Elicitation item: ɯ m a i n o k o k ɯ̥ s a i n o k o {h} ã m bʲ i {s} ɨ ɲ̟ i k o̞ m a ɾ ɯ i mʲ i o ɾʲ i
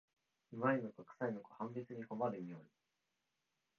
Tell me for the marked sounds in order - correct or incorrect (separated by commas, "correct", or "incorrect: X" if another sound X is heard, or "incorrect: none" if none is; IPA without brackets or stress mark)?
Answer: correct, incorrect: t͡s